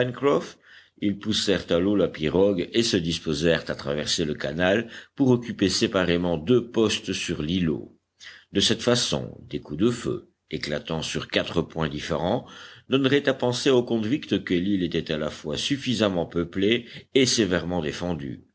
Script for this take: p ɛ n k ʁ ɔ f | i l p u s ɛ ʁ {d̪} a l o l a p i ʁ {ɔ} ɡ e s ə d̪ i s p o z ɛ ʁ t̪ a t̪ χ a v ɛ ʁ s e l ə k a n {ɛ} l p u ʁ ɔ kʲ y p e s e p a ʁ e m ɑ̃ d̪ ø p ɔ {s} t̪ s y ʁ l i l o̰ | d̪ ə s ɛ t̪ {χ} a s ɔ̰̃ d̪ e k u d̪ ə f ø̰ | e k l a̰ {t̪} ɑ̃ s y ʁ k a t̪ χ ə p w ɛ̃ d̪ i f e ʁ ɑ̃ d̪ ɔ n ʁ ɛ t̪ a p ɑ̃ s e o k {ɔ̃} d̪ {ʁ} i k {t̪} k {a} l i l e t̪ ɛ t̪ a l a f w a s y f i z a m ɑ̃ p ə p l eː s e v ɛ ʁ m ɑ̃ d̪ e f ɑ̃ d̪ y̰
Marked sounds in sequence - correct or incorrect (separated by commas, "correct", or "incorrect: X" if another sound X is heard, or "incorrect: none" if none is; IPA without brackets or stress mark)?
incorrect: t̪, correct, incorrect: a, correct, incorrect: f, correct, correct, incorrect: v, correct, incorrect: ə